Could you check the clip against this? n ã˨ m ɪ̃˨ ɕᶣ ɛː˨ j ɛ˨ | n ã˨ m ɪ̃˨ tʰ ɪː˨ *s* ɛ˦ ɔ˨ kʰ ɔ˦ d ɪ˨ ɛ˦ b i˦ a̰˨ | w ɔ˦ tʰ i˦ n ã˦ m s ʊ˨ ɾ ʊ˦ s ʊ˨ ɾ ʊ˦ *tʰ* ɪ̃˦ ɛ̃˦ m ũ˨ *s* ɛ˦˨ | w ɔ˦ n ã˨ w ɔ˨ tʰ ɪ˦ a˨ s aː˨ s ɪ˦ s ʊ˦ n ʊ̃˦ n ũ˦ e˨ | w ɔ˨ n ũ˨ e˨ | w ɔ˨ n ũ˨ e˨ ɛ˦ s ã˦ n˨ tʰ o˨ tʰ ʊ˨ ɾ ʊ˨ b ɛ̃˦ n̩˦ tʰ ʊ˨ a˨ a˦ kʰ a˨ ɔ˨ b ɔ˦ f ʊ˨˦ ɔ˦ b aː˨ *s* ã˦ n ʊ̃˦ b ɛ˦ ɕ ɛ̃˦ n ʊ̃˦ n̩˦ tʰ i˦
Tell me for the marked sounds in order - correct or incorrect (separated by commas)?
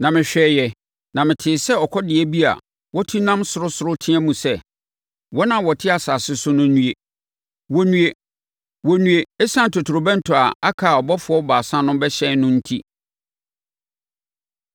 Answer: correct, correct, correct, correct